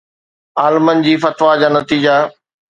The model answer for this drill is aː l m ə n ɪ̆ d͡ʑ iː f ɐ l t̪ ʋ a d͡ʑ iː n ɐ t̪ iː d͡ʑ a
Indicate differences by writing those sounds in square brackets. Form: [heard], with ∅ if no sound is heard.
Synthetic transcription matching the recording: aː l m ə n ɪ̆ d͡ʑ iː f ɐ [∅] t̪ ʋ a d͡ʑ [aː] n ɐ t̪ iː d͡ʑ a